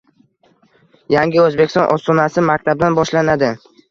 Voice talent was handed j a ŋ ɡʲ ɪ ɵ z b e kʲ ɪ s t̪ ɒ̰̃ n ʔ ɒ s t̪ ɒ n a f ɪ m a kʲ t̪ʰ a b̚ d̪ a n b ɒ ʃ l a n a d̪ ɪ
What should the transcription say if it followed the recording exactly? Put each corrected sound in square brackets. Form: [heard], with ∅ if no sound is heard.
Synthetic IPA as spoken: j a ŋ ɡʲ ɪ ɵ z b e kʲ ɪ s t̪ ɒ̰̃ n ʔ ɒ s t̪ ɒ n a [s] ɪ m a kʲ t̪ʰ a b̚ d̪ a n b ɒ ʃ l a n a d̪ ɪ